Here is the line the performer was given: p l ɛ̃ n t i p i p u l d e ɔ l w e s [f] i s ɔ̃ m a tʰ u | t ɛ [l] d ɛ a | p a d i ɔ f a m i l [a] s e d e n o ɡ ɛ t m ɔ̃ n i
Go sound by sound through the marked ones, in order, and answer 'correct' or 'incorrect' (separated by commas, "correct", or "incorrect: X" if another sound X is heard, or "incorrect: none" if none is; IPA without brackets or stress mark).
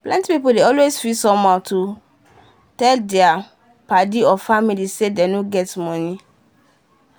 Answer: correct, correct, incorrect: i